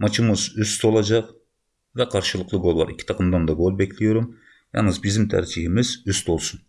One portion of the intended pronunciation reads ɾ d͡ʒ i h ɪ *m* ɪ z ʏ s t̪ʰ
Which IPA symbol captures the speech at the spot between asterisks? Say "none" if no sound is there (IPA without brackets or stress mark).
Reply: m